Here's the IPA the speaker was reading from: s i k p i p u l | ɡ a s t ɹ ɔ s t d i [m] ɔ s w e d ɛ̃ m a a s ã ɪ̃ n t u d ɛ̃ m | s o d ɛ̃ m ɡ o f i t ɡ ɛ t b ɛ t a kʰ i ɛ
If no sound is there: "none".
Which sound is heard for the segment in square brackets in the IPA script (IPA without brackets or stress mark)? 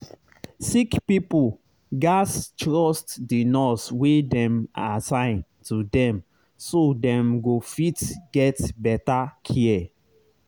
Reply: n